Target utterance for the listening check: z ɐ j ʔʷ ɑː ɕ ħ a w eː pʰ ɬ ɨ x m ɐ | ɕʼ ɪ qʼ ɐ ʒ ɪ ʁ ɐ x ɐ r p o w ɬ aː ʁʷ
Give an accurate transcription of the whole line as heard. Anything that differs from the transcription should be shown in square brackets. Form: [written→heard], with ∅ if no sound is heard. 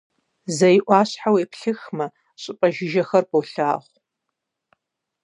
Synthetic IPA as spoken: z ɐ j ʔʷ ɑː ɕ ħ a w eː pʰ ɬ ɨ x m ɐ | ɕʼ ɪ [qʼ→pʼ] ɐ ʒ ɪ [ʁ→ʒ] ɐ x ɐ r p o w ɬ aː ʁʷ